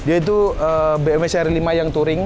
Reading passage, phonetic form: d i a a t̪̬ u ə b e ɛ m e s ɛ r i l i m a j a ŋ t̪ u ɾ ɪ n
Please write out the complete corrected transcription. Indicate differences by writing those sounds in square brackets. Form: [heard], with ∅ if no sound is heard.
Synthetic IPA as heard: d i a [i] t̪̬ u ə b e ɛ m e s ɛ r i l i m a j a ŋ t̪ u ɾ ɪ [ŋ]